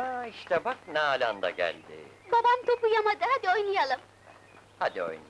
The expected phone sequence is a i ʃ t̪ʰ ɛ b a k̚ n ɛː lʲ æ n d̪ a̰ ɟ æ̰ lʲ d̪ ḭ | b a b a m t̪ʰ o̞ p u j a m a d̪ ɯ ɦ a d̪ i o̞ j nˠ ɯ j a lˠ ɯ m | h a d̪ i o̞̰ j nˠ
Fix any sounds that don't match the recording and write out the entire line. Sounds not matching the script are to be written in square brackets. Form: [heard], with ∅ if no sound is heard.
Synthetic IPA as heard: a i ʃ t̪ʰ ɛ b a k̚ n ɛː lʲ [a] n d̪ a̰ ɟ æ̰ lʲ d̪ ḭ | b a b a m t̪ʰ o̞ p u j a m a d̪ ɯ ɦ a d̪ i o̞ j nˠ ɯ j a lˠ ɯ m | h a d̪ i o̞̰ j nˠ